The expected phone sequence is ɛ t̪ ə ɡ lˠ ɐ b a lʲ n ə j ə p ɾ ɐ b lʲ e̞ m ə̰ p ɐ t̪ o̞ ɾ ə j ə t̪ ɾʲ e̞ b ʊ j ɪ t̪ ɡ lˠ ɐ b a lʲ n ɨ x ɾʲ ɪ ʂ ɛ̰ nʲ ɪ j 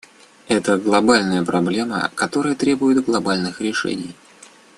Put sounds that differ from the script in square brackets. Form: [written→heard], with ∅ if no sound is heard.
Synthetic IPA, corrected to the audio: ɛ t̪ ə ɡ lˠ ɐ b a lʲ n ə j ə p ɾ ɐ b lʲ e̞ m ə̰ [p→k] ɐ t̪ o̞ ɾ ə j ə t̪ ɾʲ e̞ b ʊ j ɪ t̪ ɡ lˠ ɐ b a lʲ n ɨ x ɾʲ ɪ ʂ ɛ̰ nʲ ɪ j

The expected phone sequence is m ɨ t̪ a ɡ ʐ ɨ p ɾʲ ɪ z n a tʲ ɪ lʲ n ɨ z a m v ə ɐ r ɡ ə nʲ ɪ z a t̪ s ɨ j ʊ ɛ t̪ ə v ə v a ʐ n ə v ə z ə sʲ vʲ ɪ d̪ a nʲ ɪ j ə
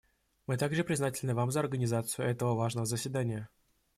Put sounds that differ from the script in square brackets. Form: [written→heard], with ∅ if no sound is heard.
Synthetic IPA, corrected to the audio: m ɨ t̪ a ɡ ʐ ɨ p ɾʲ ɪ z n a tʲ ɪ lʲ n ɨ [z→v] a m [v→z] ə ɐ r ɡ ə nʲ ɪ z a t̪ s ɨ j ʊ ɛ t̪ ə v ə v a ʐ n ə v ə z ə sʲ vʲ ɪ d̪ a nʲ ɪ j ə

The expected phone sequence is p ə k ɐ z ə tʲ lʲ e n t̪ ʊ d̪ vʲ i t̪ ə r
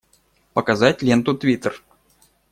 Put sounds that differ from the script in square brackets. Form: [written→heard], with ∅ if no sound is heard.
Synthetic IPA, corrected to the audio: p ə k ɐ z [ə→a] tʲ lʲ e n t̪ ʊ [d̪→t̪] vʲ i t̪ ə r

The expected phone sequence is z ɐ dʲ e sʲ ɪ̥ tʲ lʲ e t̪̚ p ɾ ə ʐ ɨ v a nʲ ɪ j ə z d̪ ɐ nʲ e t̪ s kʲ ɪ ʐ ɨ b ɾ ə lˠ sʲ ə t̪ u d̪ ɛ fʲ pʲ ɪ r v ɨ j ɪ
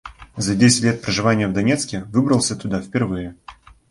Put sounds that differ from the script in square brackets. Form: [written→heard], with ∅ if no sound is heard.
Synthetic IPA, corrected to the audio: z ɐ dʲ e sʲ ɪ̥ tʲ lʲ e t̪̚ p ɾ ə ʐ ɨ v a nʲ ɪ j ə [z→v] d̪ ɐ nʲ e t̪ s kʲ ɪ [ʐ→v] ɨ b ɾ ə lˠ sʲ ə t̪ [u→ʊ] d̪ [ɛ→a] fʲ pʲ ɪ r v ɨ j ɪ

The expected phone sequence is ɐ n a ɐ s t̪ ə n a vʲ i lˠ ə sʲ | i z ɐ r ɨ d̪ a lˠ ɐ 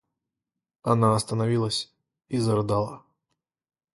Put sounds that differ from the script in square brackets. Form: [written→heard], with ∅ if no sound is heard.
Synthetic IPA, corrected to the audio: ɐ n a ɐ s t̪ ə n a vʲ i lˠ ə sʲ | i z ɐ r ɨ d̪ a lˠ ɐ

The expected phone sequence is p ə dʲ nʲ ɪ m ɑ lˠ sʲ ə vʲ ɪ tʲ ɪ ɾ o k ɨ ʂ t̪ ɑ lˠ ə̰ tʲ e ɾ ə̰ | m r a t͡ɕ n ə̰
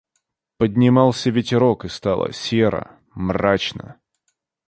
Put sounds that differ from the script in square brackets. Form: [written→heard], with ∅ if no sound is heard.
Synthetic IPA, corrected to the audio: p ə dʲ nʲ ɪ m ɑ lˠ sʲ ə vʲ ɪ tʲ ɪ ɾ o k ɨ [ʂ→s] t̪ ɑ lˠ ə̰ [tʲ→sʲ] e ɾ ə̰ | m r a t͡ɕ n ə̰

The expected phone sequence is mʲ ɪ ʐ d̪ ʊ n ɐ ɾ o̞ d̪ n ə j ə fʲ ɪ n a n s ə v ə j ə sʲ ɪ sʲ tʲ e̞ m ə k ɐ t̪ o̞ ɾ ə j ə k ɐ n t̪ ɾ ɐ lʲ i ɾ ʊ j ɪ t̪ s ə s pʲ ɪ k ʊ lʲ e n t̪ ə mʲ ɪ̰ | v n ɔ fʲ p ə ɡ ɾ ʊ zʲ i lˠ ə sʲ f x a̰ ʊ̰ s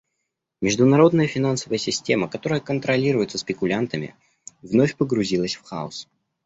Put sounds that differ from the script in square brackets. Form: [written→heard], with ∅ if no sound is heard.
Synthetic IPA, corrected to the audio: mʲ ɪ ʐ d̪ ʊ n ɐ ɾ o̞ d̪ n ə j ə fʲ ɪ n a n s ə v ə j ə sʲ ɪ sʲ tʲ e̞ m ə k ɐ t̪ o̞ ɾ ə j ə k [ɐ→ə] n t̪ ɾ ɐ lʲ i ɾ ʊ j ɪ t̪ s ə s pʲ ɪ k ʊ lʲ [e→a] n t̪ ə mʲ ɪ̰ | v n [ɔ→o] fʲ p ə ɡ ɾ ʊ zʲ i lˠ ə sʲ f x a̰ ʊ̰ s

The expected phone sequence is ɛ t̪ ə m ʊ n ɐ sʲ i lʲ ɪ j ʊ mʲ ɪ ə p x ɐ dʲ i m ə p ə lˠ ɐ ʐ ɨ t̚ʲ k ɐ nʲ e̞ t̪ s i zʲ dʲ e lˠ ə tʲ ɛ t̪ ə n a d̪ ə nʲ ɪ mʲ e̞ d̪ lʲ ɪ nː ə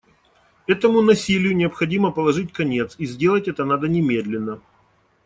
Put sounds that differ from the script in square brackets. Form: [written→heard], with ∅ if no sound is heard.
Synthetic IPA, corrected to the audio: ɛ t̪ ə m ʊ n ɐ sʲ i lʲ ɪ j ʊ [mʲ→nʲ] ɪ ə p x ɐ dʲ i m ə p ə lˠ ɐ ʐ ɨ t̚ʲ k ɐ nʲ e̞ t̪ s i zʲ dʲ e lˠ ə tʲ ɛ t̪ ə n a d̪ ə nʲ ɪ mʲ e̞ d̪ lʲ ɪ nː ə

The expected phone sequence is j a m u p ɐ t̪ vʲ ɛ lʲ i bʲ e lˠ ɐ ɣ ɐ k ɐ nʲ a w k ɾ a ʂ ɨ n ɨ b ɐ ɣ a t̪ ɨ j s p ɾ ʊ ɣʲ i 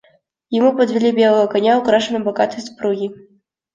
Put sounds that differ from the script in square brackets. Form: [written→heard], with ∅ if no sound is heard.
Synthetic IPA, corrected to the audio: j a m u p ɐ [t̪→d̪] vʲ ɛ lʲ i bʲ [e→ɛ] lˠ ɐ ɣ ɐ k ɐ nʲ a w k ɾ a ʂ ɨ n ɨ b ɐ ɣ a t̪ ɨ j s p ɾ [ʊ→u] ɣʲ i

